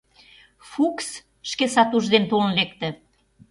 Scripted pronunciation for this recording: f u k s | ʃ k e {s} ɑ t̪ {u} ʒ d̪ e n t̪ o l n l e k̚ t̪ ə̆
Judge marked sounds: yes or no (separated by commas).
yes, yes